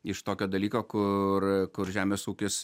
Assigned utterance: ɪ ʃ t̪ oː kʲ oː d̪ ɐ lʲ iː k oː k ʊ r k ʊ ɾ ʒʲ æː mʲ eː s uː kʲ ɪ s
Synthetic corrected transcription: ɪ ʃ t̪ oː kʲ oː d̪ ɐ lʲ iː k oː k ʊ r k ʊ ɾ ʒʲ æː mʲ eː s uː kʲ ɪ s

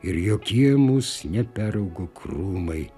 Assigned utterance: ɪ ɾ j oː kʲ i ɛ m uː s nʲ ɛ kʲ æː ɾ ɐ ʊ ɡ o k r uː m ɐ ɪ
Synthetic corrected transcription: ɪ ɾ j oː kʲ i ɛ m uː s nʲ ɛ pʲ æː ɾ ɐ ʊ ɡ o k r uː m ɐ ɪ

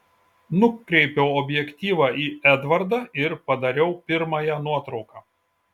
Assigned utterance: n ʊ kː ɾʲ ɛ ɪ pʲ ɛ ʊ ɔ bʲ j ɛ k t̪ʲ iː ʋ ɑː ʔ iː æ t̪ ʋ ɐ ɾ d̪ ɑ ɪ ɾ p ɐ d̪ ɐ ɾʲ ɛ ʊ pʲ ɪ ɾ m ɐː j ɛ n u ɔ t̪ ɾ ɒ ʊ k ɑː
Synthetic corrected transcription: n ʊ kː ɾʲ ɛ ɪ pʲ ɛ ʊ ɔ bʲ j ɛ k t̪ʲ iː ʋ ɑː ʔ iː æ d̪ ʋ ɐ ɾ d̪ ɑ ɪ ɾ p ɐ d̪ ɐ ɾʲ ɛ ʊ pʲ ɪ ɾ m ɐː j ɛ n u ɔ t̪ ɾ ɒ ʊ k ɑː

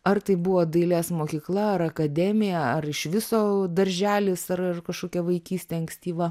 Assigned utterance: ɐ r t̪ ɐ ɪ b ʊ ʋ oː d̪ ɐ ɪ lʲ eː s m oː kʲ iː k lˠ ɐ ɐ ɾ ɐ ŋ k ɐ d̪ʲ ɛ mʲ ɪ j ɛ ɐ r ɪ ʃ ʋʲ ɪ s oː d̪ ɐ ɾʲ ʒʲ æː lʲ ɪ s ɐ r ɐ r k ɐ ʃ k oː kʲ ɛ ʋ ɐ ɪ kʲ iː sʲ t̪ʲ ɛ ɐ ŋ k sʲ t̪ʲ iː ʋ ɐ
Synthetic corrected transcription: ɐ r t̪ ɐ ɪ b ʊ ʋ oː d̪ ɐ ɪ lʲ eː s m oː kʲ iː k lˠ ɐ ɐ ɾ ɐ k ɐ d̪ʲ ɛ mʲ ɪ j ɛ ɐ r ɪ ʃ ʋʲ ɪ s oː d̪ ɐ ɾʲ ʒʲ æː lʲ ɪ s ɐ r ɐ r k ɐ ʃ k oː kʲ ɛ ʋ ɐ ɪ kʲ iː sʲ t̪ʲ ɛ ɐ ŋ k sʲ t̪ʲ iː ʋ ɐ

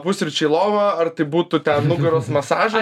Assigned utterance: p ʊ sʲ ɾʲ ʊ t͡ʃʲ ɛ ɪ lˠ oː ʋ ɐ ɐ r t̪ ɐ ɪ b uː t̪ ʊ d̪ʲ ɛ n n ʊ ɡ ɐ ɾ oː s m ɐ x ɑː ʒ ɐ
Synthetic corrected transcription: p ʊ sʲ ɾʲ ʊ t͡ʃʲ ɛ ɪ lˠ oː ʋ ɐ ɐ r t̪ ɐ ɪ b uː t̪ ʊ t̪ʲ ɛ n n ʊ ɡ ɐ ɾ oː s m ɐ s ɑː ʒ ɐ

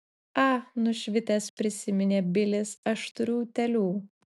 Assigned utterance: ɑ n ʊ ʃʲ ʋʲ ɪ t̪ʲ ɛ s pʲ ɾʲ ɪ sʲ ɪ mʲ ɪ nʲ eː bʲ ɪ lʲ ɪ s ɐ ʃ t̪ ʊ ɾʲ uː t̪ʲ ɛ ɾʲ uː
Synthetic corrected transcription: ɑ n ʊ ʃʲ ʋʲ ɪ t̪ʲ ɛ s pʲ ɾʲ ɪ sʲ ɪ mʲ ɪ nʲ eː bʲ ɪ lʲ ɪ s ɐ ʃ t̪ ʊ ɾʲ uː t̪ʲ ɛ lʲ uː

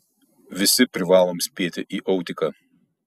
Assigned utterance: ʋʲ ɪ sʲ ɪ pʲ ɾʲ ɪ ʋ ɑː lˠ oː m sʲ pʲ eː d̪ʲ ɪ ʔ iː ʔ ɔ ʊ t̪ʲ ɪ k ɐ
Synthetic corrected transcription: ʋʲ ɪ sʲ ɪ pʲ ɾʲ ɪ ʋ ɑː lˠ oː m sʲ pʲ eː t̪ʲ ɪ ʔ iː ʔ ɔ ʊ t̪ʲ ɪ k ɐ

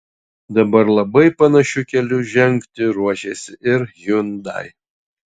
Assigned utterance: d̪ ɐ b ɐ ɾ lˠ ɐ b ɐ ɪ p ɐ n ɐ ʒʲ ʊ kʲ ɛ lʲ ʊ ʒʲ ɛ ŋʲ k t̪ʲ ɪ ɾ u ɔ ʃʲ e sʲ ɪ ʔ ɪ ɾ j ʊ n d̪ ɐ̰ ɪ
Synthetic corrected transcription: d̪ ɐ b ɐ ɾ lˠ ɐ b ɐ ɪ p ɐ n ɐ ʃʲ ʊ kʲ ɛ lʲ ʊ ʒʲ ɛ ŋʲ k t̪ʲ ɪ ɾ u ɔ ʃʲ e sʲ ɪ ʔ ɪ ɾ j ʊ n d̪ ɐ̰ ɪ

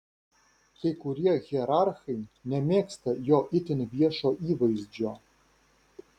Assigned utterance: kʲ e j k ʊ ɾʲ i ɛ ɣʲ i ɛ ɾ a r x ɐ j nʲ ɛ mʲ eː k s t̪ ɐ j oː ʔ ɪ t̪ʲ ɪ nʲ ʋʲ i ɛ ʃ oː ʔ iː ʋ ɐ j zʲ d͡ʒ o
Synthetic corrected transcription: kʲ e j k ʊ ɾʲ i ɛ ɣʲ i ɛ ɾ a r x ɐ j nʲ ɛ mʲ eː k s t̪ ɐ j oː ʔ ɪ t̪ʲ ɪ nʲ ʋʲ i ɛ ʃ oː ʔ iː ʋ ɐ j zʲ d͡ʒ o

